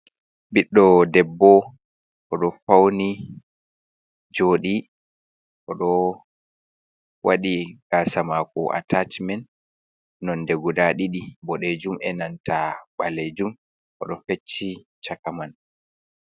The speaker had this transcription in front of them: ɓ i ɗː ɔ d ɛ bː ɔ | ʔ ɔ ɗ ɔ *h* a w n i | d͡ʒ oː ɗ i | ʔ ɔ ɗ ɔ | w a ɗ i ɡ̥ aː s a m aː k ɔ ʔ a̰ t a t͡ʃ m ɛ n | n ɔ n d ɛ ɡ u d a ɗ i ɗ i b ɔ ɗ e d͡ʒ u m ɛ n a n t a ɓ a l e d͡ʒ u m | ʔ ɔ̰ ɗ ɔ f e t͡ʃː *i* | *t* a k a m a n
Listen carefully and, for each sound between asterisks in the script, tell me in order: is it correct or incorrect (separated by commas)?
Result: incorrect, correct, incorrect